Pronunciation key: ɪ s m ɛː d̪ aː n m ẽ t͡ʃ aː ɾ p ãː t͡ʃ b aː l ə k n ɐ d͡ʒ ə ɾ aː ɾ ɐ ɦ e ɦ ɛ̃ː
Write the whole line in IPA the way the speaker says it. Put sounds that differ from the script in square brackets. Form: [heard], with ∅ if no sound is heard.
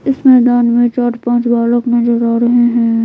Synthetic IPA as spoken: ɪ s m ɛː d̪ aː n m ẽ t͡ʃ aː ɾ p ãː t͡ʃ b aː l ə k n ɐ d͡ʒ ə ɾ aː ɾ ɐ ɦ e ɦ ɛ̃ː